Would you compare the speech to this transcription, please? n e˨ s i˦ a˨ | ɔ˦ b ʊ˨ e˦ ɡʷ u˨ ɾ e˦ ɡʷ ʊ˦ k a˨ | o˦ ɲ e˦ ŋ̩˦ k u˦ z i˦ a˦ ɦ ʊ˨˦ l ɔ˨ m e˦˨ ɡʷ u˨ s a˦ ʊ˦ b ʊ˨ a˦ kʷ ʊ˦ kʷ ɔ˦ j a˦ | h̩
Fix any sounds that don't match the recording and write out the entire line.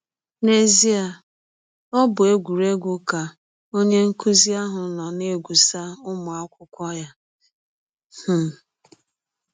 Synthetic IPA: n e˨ z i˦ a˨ | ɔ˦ b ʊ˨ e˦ ɡʷ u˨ ɾ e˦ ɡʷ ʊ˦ k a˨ | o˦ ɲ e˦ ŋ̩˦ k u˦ z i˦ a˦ ɦ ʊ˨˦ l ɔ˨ n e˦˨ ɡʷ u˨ s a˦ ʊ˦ m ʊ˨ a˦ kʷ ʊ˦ kʷ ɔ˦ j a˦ | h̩